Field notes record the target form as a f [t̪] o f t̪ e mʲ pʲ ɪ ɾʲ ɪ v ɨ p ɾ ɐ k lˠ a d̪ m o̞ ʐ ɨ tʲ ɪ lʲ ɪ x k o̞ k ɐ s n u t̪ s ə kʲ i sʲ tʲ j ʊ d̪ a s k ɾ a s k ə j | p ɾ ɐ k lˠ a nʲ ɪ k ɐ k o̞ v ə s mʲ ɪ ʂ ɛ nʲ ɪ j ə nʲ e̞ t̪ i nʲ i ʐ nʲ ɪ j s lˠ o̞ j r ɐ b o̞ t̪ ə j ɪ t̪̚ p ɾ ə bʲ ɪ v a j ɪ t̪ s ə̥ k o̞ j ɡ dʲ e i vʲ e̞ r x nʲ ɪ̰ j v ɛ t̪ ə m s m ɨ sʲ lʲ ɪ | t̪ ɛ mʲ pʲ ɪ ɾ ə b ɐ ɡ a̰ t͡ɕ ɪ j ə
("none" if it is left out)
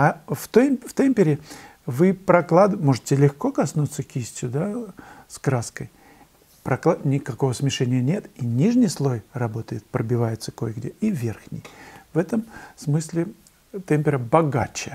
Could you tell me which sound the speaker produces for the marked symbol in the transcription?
t̪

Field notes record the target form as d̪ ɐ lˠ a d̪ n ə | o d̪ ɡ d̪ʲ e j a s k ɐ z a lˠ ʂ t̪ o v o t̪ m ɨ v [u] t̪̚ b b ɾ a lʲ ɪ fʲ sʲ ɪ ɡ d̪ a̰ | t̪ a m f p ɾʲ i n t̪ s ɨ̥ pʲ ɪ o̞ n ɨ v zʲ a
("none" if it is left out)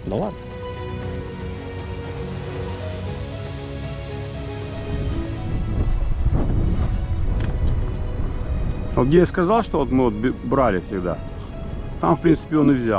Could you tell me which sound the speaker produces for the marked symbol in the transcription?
o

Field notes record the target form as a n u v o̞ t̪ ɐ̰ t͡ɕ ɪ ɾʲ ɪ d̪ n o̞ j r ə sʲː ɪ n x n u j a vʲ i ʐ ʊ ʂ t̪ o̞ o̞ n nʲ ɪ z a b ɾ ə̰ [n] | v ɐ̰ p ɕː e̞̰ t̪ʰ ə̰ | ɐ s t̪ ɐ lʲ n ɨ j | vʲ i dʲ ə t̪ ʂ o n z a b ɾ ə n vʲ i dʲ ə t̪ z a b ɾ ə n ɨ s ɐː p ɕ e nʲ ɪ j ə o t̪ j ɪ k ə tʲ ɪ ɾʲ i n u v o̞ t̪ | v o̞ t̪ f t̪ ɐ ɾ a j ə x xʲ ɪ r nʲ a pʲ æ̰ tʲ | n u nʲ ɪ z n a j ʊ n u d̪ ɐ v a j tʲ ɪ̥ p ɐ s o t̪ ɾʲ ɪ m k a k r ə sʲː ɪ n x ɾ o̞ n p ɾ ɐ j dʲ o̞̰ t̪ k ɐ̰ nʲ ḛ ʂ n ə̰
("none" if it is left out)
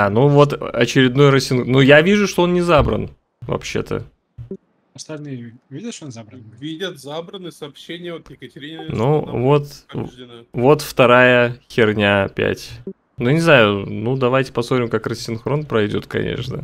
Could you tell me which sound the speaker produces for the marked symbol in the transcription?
n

